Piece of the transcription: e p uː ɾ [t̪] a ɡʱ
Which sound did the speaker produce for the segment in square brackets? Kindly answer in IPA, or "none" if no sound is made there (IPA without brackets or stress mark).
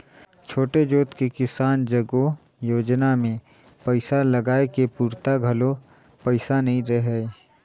t̪